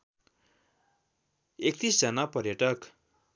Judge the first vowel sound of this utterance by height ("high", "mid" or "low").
mid